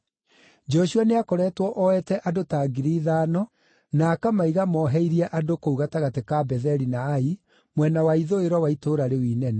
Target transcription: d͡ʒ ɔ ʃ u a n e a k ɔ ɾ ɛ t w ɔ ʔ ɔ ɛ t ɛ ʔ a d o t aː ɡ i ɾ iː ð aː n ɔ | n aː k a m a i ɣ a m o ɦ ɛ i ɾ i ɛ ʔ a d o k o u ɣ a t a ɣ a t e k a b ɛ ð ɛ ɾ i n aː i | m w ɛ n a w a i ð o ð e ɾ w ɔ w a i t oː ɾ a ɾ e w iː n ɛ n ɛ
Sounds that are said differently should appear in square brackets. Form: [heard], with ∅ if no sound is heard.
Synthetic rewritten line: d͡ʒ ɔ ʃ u a n e a k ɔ ɾ ɛ t w ɔ ʔ ɔ ɛ t ɛ ʔ a d o t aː ɡ i ɾ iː ð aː n ɔ | n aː k a m a i ɣ a m [ɔ] ɦ ɛ i ɾ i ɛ ʔ a d o k o u ɣ a t a ɣ a t e k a b ɛ ð ɛ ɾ i n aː i | m w ɛ n a w a i ð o [∅] e ɾ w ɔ w a i t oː ɾ a ɾ e w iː n ɛ n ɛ